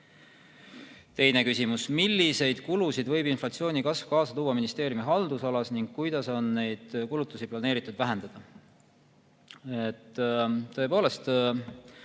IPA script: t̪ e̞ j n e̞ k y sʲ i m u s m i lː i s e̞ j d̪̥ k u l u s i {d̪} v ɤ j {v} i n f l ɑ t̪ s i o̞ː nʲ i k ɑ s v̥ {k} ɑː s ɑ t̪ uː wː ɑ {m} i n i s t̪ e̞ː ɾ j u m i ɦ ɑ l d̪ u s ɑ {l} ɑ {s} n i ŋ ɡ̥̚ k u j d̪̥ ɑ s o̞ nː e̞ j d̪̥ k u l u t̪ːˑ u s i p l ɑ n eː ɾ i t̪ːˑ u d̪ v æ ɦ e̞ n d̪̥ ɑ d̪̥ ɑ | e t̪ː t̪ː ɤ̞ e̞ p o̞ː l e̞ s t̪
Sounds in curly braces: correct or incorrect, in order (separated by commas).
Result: correct, incorrect, correct, correct, correct, correct